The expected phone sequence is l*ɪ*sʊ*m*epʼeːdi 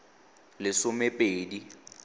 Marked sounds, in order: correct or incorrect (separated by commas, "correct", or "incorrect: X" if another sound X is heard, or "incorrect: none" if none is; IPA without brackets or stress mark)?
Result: correct, correct